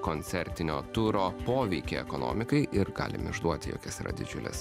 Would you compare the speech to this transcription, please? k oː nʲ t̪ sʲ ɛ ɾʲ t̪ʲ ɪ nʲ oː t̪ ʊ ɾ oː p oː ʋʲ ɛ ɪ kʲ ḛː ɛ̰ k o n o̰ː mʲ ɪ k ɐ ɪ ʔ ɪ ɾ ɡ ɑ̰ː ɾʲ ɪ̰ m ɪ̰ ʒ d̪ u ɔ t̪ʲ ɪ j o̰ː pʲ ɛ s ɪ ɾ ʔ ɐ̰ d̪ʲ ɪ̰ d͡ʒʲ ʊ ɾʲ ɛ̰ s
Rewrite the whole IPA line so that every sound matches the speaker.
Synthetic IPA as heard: k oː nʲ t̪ sʲ ɛ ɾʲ t̪ʲ ɪ nʲ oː t̪ ʊ ɾ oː p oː ʋʲ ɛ ɪ kʲ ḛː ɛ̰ k o n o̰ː mʲ ɪ k ɐ ɪ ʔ ɪ ɾ ɡ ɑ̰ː lʲ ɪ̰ m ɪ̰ ʒ d̪ u ɔ t̪ʲ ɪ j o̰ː kʲ ɛ s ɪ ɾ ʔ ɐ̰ d̪ʲ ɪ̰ d͡ʒʲ ʊ lʲ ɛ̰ s